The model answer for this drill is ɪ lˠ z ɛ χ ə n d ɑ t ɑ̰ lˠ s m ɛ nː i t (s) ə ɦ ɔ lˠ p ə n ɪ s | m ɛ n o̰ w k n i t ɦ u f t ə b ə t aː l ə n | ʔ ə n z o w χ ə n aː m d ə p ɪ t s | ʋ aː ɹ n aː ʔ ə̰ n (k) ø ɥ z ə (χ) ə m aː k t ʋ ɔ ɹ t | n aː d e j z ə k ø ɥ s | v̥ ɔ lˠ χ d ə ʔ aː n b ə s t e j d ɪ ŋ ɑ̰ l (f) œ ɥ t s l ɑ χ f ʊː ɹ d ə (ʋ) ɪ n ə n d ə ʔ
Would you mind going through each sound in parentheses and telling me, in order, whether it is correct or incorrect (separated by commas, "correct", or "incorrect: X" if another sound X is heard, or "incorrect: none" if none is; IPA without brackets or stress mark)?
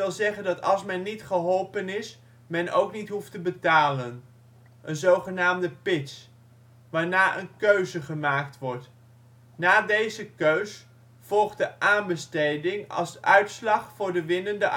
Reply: incorrect: χ, correct, correct, incorrect: s, correct